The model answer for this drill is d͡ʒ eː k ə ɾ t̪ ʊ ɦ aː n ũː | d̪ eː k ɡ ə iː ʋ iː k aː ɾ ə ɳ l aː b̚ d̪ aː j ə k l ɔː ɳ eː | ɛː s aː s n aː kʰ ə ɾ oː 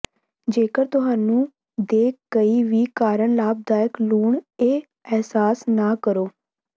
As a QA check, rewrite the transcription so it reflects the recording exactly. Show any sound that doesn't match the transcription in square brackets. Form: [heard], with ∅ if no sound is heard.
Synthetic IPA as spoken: d͡ʒ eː k ə ɾ t̪ ʊ ɦ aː n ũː | d̪ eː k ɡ ə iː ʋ iː k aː ɾ ə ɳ l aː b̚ d̪ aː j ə k l [uː] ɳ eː | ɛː s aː s n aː [k] ə ɾ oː